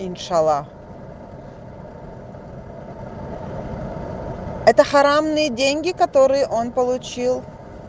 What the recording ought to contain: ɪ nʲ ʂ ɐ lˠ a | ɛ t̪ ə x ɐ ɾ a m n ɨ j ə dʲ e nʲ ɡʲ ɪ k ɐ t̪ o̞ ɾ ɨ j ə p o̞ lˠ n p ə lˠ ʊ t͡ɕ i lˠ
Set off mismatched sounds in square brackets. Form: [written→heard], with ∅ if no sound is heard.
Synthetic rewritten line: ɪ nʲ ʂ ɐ lˠ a | ɛ t̪ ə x ɐ ɾ a m n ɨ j ə dʲ e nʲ ɡʲ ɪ k ɐ t̪ o̞ ɾ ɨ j ə [p→ʔ] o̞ [lˠ→∅] n p ə lˠ ʊ t͡ɕ i lˠ